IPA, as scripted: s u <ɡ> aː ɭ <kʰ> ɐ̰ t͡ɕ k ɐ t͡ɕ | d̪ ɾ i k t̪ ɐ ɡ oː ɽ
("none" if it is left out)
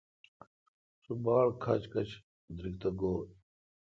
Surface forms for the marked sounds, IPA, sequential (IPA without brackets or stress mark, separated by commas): b, kʰ